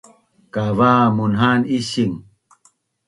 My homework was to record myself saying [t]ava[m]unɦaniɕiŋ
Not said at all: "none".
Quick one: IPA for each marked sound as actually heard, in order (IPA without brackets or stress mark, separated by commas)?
k, m